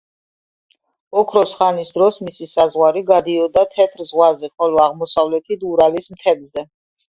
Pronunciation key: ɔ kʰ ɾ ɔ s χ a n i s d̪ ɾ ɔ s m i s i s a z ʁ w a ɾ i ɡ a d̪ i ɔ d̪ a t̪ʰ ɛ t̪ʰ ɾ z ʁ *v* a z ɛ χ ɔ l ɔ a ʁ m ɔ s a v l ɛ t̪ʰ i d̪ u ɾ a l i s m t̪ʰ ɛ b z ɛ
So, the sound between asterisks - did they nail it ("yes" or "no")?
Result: no